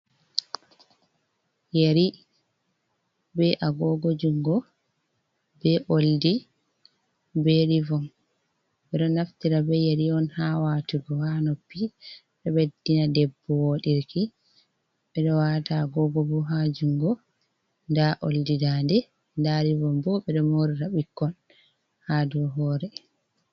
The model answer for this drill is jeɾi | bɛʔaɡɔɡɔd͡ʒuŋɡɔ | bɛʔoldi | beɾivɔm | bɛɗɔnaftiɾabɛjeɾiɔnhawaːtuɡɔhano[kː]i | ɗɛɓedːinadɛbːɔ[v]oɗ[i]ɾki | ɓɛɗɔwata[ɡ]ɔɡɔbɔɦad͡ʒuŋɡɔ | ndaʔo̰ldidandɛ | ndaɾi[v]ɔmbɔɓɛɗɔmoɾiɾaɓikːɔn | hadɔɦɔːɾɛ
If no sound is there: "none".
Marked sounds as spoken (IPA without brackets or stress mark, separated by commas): pː, w, i, ɡ, v